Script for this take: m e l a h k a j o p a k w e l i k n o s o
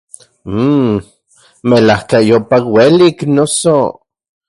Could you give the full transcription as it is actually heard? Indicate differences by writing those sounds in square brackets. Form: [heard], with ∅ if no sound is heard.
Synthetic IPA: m e l a h k a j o p a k w e l i k n o s o